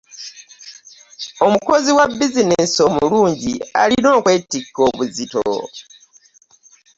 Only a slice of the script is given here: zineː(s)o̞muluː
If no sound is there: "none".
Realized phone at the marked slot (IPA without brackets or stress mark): s